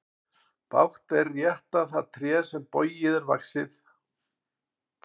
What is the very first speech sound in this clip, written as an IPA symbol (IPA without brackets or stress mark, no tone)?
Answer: p